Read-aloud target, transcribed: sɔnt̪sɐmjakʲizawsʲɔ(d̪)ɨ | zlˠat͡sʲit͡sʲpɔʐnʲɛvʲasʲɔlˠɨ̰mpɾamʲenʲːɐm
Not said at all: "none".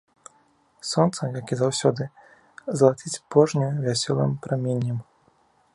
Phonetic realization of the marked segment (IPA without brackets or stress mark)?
d̪